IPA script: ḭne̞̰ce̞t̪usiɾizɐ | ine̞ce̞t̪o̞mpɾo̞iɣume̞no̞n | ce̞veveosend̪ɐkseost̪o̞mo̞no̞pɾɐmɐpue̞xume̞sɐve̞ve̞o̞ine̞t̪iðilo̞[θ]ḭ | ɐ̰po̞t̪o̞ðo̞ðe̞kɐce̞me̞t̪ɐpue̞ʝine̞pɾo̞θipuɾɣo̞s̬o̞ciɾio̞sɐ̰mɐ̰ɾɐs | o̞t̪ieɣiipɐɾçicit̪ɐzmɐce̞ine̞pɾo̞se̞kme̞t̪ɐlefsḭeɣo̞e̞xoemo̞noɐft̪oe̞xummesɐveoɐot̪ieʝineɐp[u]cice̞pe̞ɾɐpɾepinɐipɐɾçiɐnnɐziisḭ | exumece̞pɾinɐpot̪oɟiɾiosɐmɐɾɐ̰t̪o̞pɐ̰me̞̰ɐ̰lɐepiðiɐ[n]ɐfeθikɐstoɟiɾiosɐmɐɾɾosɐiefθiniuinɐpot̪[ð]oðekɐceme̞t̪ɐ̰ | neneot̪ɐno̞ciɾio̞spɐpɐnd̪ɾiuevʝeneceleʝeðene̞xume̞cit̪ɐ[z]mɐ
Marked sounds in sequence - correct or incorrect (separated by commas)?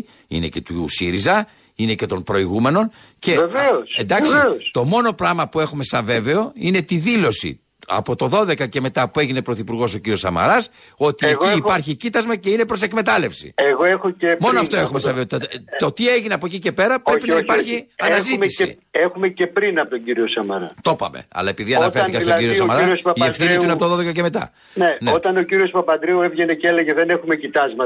incorrect, incorrect, correct, correct, correct